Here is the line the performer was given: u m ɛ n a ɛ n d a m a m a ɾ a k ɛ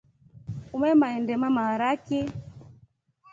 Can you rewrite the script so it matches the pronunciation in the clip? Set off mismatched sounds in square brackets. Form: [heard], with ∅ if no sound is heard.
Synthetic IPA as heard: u m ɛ [m] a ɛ n d [ɛ] m a m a ɾ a k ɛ